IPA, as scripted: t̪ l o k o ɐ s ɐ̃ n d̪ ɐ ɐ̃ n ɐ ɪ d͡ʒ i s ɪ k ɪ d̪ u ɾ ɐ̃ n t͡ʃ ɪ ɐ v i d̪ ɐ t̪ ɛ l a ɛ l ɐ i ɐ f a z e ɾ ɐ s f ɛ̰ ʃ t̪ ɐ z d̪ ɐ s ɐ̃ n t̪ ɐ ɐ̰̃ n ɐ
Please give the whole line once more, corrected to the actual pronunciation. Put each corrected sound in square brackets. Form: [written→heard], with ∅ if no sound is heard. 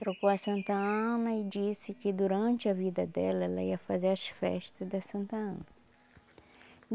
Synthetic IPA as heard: t̪ [l→ɾ] o k o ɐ s ɐ̃ n [d̪→t̪] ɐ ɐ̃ n ɐ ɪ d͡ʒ i s ɪ k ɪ d̪ u ɾ ɐ̃ n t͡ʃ ɪ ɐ v i d̪ ɐ [t̪→d̪] ɛ l [a→ɐ] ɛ l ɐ i ɐ f a z e ɾ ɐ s f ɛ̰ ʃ t̪ ɐ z d̪ ɐ s ɐ̃ n t̪ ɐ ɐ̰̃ n ɐ